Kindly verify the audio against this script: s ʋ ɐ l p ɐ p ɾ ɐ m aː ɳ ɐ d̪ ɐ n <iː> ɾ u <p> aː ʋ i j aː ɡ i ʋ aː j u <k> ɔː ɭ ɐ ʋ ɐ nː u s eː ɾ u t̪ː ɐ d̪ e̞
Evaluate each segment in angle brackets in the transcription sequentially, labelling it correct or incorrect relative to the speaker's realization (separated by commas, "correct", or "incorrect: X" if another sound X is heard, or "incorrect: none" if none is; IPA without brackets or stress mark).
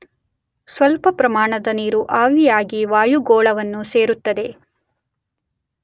correct, incorrect: ʔ, incorrect: ɡ